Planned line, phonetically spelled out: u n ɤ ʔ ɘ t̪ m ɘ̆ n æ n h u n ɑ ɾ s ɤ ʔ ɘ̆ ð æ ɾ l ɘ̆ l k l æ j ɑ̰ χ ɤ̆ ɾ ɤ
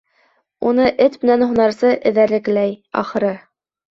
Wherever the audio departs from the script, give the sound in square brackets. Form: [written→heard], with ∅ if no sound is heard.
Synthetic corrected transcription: u n ɤ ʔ ɘ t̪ m ɘ̆ n æ n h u n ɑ ɾ s ɤ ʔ ɘ̆ ð æ ɾ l ɘ̆ [l→∅] k l æ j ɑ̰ χ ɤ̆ ɾ ɤ